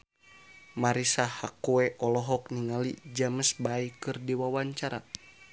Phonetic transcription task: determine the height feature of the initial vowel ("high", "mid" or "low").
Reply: low